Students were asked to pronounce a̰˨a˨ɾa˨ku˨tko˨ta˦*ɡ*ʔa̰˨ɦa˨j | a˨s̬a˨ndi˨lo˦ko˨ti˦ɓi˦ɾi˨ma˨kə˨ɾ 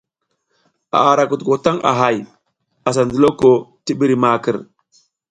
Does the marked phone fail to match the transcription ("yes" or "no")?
yes